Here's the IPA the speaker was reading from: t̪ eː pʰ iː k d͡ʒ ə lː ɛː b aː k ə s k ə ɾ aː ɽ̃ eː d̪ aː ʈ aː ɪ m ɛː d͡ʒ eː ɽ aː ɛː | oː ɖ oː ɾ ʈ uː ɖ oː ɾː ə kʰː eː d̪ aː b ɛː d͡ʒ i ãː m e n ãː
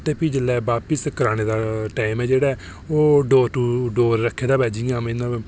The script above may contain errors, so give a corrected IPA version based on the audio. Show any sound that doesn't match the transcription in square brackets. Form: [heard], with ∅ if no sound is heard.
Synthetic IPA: t̪ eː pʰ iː [∅] d͡ʒ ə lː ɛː b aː [p] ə s k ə ɾ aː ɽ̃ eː d̪ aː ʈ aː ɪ m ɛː d͡ʒ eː ɽ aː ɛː | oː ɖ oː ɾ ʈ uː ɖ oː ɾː ə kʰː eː d̪ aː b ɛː d͡ʒ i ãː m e n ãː

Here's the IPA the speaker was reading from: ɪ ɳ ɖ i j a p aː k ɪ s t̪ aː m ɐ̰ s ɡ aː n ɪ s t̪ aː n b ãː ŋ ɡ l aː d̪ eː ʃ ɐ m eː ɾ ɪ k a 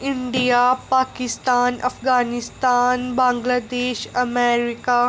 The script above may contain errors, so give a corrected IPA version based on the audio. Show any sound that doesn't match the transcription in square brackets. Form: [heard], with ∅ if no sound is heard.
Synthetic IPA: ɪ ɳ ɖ i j a p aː k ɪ s t̪ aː [n] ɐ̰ [f] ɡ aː n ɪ s t̪ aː n b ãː ŋ ɡ l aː d̪ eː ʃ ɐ m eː ɾ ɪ k a

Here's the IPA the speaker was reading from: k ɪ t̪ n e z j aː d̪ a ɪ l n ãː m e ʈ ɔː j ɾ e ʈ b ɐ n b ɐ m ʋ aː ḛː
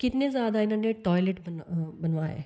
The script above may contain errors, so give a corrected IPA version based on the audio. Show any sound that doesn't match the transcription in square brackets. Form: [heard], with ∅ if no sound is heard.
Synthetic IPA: k ɪ t̪ n e z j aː d̪ a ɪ [∅] n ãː [n] e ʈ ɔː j [l] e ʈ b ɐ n b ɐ [n] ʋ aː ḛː

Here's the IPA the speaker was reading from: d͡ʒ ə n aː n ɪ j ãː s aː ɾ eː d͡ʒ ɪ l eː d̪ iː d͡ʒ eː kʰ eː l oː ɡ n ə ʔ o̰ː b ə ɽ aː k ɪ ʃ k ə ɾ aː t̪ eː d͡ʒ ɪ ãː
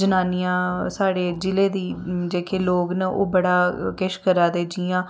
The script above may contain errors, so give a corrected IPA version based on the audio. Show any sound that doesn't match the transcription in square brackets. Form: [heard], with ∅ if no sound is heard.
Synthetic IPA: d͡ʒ ə n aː n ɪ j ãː s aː [ɽ] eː d͡ʒ ɪ l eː d̪ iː d͡ʒ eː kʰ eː l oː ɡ n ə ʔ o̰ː b ə ɽ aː k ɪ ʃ k ə ɾ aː [d̪] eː d͡ʒ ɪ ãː

